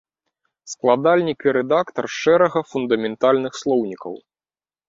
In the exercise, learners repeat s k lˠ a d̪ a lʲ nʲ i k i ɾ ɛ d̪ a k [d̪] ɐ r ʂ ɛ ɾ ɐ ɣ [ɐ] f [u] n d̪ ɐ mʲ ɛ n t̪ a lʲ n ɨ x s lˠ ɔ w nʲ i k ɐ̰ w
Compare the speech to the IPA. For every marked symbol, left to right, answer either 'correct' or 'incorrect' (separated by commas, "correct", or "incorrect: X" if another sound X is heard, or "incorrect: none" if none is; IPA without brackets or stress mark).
incorrect: t̪, correct, correct